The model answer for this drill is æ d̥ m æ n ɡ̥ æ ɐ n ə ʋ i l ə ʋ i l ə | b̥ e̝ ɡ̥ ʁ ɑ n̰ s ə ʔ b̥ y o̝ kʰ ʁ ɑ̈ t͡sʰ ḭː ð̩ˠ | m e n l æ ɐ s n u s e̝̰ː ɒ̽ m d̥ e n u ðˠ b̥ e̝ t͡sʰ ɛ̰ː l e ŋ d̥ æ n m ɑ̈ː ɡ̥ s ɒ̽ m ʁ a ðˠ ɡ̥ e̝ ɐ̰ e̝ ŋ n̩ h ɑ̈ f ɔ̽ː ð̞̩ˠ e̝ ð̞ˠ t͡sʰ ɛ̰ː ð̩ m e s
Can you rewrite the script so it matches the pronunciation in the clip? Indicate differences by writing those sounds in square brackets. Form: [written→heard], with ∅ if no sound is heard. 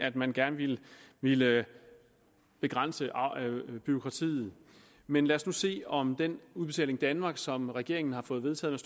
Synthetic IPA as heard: æ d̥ m æ n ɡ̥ æ ɐ n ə ʋ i l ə ʋ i l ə | b̥ e̝ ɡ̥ ʁ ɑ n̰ s ə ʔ b̥ y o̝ kʰ ʁ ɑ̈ t͡sʰ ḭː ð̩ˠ | m e n l æ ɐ s n u s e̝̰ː ɒ̽ m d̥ e n u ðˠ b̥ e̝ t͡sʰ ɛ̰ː l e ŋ d̥ æ n m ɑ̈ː ɡ̥ s ɒ̽ m ʁ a [ðˠ→∅] ɡ̥ e̝ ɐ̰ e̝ ŋ n̩ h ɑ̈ f ɔ̽ː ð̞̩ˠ e̝ ð̞ˠ t͡sʰ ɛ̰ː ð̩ m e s

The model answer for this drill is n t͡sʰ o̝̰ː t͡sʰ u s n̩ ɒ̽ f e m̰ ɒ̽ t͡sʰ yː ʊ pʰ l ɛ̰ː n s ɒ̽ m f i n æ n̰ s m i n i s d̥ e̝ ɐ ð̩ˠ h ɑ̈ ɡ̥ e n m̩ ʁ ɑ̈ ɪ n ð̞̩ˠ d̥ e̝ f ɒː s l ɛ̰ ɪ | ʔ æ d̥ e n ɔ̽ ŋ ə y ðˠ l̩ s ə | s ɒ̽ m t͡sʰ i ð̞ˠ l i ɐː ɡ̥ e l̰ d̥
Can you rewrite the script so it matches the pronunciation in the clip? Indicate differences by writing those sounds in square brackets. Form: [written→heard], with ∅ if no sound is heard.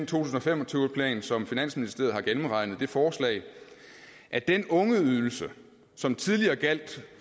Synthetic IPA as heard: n t͡sʰ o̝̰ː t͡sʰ u s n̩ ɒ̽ f e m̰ ɒ̽ t͡sʰ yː ʊ pʰ l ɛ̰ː n s ɒ̽ m f i n æ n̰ s m i n i s d̥ e̝ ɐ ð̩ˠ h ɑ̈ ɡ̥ e n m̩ ʁ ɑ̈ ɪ n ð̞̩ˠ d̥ e̝ f ɒː s l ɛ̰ ɪ | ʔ æ d̥ e n ɔ̽ ŋ ə y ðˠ l̩ s ə | s ɒ̽ m t͡sʰ i ð̞ˠ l i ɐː ɡ̥ [e→æ] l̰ d̥

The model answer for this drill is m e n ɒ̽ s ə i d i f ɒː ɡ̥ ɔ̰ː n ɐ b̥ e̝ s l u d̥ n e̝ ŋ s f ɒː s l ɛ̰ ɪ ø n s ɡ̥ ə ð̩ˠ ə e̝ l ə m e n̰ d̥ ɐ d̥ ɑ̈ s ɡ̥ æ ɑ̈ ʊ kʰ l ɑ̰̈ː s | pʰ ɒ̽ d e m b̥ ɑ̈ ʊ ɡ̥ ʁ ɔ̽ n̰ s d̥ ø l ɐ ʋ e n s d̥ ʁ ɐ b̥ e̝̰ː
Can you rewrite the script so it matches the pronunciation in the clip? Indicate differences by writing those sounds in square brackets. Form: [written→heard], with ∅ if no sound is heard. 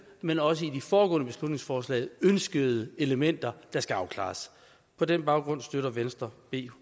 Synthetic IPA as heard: m e n ɒ̽ s ə i d i f ɒː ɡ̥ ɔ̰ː n [ɐ→ə] b̥ e̝ s l u d̥ n e̝ ŋ s f ɒː s l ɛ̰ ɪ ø n s ɡ̥ ə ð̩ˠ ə e̝ l ə m e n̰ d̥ ɐ d̥ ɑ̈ s ɡ̥ æ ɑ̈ ʊ kʰ l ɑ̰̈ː s | pʰ ɒ̽ d e [m→n] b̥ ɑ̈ ʊ ɡ̥ ʁ ɔ̽ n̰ s d̥ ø [l→ɾ] ɐ ʋ e n s d̥ ʁ ɐ b̥ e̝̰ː

